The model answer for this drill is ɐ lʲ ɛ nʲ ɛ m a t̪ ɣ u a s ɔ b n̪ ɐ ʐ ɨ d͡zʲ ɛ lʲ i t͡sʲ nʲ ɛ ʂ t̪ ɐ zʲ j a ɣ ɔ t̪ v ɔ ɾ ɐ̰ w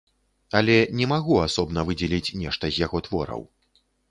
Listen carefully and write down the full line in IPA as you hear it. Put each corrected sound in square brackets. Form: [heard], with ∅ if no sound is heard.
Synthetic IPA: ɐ lʲ ɛ nʲ ɛ m a [∅] ɣ u a s ɔ b n̪ ɐ [v] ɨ d͡zʲ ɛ lʲ i t͡sʲ nʲ ɛ ʂ t̪ ɐ zʲ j a ɣ ɔ t̪ v ɔ ɾ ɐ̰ w